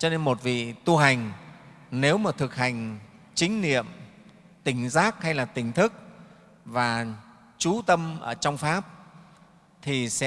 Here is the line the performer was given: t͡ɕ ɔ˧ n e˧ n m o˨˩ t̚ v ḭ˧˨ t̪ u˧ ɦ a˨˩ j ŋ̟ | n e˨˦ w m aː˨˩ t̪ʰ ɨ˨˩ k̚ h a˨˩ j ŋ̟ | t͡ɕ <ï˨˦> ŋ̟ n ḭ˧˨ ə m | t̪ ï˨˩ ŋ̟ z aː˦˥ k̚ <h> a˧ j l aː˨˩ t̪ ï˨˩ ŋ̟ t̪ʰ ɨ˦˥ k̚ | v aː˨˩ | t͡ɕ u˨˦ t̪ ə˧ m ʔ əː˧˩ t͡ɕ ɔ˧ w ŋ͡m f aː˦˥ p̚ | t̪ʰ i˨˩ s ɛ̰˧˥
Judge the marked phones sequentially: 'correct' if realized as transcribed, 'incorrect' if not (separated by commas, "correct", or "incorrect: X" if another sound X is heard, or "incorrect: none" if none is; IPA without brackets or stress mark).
correct, correct